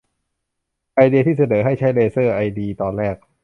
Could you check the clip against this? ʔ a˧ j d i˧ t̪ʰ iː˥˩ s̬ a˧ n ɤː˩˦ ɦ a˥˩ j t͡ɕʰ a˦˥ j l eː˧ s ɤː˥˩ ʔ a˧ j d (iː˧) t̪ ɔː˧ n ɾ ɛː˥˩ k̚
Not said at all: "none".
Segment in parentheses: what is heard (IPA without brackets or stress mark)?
iː˧